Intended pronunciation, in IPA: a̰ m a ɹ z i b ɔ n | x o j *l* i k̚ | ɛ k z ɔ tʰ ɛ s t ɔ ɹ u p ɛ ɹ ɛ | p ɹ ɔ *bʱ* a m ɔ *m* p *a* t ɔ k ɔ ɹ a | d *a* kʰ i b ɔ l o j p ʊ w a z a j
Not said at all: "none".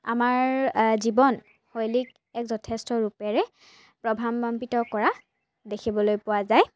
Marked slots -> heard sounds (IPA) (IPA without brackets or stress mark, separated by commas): l, bʱ, m, i, e